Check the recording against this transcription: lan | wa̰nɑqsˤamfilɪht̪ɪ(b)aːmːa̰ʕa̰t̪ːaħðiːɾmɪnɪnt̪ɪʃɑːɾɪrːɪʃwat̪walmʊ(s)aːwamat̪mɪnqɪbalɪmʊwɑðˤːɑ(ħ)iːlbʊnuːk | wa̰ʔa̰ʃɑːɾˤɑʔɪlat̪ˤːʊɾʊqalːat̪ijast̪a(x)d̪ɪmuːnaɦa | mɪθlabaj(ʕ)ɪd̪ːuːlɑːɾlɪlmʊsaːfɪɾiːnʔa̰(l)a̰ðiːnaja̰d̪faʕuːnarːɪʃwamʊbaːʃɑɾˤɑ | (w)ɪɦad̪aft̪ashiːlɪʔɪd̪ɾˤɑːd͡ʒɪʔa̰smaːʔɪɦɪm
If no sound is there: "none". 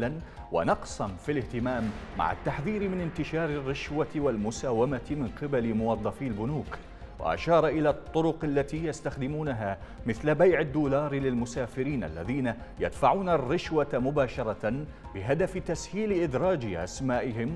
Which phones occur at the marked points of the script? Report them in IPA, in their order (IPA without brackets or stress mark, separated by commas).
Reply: m, s, f, x, ʕ, lː, b